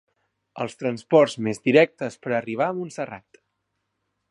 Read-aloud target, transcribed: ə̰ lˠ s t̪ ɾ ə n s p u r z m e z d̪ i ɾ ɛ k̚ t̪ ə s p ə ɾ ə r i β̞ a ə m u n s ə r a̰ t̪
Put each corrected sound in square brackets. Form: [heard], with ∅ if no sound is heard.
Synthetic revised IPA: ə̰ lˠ s t̪ ɾ ə n s p [ɔ] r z m e z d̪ i ɾ ɛ k̚ t̪ ə s p ə ɾ ə r i β̞ a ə m u n s ə r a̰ t̪